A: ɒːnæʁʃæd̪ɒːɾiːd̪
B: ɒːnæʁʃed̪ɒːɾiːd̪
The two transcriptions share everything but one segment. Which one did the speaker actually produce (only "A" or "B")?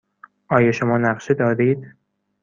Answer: B